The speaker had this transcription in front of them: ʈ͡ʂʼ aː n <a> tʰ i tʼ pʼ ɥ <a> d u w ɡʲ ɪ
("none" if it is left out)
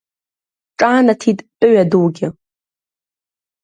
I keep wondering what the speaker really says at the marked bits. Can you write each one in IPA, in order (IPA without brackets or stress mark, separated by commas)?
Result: a, a